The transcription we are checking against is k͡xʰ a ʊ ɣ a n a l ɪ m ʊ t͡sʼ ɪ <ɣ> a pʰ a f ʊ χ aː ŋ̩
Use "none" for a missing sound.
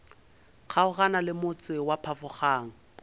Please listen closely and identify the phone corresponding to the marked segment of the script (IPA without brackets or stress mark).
w